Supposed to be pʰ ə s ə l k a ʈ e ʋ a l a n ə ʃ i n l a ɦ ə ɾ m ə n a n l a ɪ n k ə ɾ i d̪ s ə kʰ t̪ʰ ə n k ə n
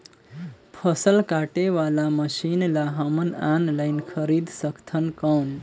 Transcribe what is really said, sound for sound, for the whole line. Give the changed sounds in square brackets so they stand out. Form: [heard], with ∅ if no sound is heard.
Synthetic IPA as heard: pʰ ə s ə l k a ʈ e ʋ a l a [m] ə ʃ i n l a ɦ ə [∅] m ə n a n l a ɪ n [kʰ] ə ɾ i d̪ s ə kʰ t̪ʰ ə n k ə n